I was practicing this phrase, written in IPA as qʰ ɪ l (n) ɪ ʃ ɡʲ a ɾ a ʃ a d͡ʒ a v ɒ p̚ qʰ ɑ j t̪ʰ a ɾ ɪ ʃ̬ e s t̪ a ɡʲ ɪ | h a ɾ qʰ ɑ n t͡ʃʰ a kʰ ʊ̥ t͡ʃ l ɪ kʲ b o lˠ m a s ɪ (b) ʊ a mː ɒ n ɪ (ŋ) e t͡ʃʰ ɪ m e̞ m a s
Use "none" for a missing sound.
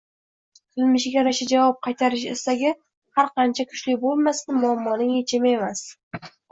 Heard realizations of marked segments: m, m, ŋ

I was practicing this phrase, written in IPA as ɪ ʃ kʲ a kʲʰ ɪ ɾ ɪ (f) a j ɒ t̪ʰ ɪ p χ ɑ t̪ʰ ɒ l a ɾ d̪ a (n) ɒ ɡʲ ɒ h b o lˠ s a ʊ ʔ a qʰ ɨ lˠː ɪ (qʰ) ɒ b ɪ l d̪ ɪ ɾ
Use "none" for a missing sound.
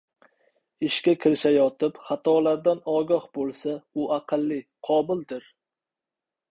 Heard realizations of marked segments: ʃ, n, qʰ

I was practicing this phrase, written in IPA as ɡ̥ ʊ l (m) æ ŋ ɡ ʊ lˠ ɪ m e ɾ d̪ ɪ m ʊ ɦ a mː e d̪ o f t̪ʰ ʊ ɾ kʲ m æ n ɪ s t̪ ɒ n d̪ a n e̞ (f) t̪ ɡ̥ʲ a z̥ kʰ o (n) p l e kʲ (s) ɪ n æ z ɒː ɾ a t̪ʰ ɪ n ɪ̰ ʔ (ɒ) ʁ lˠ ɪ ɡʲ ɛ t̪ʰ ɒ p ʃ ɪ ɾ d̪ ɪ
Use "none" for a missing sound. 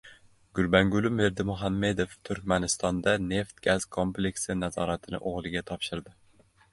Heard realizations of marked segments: b, f, m, s, o

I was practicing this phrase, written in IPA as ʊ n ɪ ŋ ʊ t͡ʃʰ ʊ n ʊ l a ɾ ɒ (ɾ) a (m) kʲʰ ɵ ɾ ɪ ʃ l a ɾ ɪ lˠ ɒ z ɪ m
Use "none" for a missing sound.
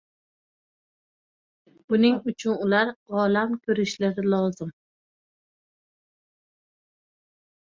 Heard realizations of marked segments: l, m

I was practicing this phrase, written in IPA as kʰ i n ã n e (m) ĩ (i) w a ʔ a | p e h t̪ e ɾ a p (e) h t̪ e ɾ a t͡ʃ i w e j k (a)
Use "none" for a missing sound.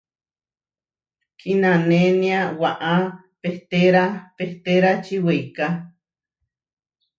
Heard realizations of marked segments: n, a, e, a

